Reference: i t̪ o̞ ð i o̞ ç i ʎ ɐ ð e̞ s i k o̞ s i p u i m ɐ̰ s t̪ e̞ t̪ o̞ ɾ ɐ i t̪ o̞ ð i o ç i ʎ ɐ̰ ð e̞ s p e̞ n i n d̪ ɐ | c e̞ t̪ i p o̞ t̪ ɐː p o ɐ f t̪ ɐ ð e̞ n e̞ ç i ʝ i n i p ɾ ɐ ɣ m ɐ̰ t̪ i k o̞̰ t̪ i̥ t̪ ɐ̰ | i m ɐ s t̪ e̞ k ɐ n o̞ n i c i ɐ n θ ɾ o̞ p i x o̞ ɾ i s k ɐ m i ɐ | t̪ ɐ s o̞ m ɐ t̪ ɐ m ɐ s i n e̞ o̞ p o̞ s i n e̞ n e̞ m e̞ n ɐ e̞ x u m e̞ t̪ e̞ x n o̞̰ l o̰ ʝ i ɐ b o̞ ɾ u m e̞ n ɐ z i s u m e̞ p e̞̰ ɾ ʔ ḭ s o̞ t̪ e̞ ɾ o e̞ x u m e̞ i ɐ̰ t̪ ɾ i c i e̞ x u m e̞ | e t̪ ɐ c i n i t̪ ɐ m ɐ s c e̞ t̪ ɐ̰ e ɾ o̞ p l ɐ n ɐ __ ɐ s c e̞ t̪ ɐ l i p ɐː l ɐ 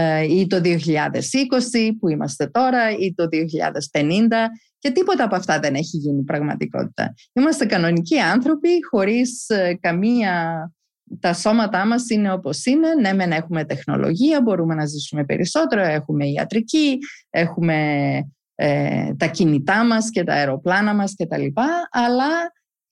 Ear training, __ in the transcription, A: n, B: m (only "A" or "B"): B